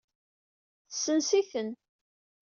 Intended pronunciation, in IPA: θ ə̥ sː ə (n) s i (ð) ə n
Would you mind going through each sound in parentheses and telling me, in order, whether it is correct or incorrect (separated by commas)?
correct, incorrect